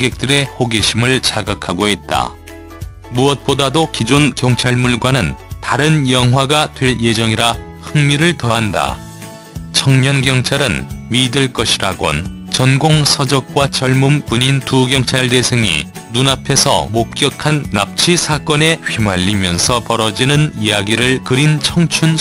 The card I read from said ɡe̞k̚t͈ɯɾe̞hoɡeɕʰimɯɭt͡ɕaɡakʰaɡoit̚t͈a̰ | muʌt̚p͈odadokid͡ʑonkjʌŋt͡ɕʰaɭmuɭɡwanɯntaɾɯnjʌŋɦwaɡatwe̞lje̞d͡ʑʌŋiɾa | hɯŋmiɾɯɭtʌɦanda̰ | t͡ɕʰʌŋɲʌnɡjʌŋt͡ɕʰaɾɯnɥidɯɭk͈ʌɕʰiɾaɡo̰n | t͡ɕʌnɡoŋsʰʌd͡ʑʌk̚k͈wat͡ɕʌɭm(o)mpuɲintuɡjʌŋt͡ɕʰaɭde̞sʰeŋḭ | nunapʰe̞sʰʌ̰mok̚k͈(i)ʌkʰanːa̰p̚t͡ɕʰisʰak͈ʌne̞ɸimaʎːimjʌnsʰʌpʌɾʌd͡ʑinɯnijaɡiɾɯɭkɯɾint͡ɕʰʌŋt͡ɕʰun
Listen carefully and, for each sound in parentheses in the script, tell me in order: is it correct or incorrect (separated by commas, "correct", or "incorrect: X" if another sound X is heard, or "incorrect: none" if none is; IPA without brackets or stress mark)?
incorrect: u, incorrect: j